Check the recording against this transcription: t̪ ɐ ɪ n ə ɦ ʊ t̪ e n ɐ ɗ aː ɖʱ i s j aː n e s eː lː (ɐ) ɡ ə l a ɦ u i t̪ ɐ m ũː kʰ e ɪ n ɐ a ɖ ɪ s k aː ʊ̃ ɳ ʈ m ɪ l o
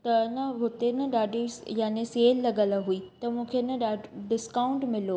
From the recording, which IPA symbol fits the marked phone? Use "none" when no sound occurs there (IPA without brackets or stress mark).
ɐ